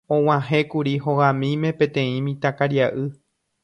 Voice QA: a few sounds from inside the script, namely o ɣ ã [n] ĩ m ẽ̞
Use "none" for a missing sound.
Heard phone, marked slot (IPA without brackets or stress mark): m